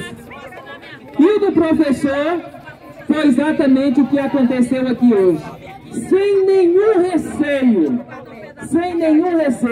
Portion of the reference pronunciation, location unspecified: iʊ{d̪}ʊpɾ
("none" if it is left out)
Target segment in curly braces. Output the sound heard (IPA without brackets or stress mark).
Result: d̪